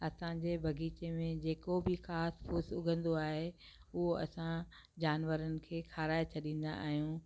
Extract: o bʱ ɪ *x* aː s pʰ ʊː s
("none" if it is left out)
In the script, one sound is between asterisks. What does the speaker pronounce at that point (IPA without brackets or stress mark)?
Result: x